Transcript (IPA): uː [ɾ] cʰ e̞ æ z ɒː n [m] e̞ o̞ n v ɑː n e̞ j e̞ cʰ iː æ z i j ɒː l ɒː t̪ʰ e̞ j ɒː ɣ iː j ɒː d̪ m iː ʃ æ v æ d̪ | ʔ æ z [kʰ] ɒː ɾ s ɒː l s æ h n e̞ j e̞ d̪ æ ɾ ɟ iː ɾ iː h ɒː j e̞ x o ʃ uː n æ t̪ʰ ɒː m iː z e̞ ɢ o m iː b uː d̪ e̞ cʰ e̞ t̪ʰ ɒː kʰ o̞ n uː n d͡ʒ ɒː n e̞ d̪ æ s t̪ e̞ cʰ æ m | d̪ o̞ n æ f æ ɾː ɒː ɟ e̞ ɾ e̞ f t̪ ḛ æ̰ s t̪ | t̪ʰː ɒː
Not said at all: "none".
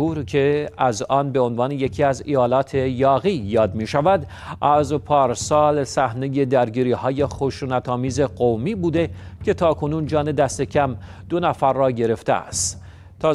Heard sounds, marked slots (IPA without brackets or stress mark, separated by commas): ɾ, b, pʰ